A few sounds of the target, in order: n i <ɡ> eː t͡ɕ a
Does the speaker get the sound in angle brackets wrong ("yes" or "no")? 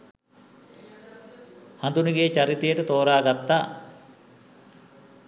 no